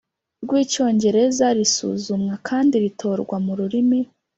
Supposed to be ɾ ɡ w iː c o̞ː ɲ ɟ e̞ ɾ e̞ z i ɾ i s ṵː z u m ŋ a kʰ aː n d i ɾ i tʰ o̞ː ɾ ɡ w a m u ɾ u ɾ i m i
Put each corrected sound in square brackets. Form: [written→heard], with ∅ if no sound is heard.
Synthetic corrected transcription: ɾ ɡ w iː c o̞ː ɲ ɟ e̞ ɾ e̞ z [i→a] ɾ i s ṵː z u m ŋ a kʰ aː n d i ɾ i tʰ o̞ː ɾ ɡ w a m u ɾ u ɾ i m i